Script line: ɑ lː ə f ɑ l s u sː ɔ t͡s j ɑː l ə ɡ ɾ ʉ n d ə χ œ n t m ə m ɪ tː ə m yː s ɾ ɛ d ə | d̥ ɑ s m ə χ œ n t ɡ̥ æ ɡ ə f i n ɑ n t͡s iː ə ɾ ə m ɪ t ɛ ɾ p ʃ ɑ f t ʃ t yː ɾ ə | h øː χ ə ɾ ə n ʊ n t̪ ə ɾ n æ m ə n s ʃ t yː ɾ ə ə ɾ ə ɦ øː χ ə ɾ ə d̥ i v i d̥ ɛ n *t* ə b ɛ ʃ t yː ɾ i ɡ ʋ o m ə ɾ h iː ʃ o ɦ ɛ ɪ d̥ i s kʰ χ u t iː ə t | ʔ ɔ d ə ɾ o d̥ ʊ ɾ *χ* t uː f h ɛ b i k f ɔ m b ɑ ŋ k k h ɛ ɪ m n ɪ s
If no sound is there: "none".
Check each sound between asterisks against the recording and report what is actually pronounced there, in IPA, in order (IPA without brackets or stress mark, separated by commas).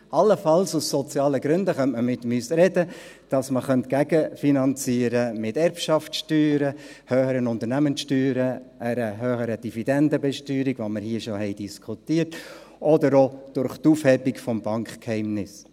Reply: d, χ